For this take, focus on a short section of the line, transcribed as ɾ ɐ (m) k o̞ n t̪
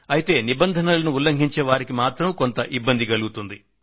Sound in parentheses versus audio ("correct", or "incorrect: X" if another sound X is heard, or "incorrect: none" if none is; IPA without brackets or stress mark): correct